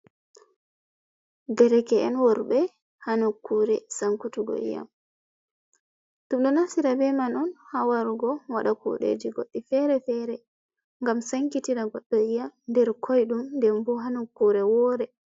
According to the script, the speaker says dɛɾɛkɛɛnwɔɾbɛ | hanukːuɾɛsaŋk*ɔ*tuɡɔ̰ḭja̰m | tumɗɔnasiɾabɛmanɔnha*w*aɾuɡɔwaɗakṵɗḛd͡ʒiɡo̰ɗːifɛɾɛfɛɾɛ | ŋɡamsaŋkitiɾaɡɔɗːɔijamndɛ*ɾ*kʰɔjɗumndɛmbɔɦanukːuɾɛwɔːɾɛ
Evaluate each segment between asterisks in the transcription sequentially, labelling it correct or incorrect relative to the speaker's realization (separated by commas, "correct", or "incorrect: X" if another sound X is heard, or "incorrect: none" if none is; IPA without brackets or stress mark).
incorrect: u, correct, correct